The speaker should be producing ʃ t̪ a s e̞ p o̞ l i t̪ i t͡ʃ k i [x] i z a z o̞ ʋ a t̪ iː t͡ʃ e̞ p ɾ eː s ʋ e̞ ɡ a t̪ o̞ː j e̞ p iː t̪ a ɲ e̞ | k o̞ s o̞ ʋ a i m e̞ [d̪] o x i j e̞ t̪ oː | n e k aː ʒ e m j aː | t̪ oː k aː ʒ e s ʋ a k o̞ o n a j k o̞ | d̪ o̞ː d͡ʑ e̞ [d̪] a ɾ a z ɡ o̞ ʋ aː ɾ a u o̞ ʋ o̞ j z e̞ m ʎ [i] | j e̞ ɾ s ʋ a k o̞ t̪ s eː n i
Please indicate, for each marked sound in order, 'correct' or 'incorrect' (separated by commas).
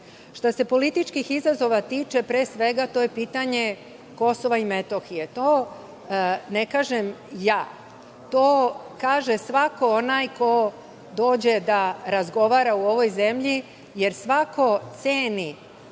correct, incorrect, correct, correct